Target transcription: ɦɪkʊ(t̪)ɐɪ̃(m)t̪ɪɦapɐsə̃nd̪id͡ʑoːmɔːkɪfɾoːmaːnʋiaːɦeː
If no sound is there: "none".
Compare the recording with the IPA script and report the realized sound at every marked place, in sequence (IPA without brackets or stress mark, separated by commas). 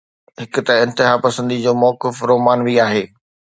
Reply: t̪, n